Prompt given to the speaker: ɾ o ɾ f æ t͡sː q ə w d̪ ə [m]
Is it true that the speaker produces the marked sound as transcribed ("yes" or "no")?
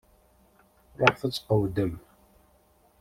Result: yes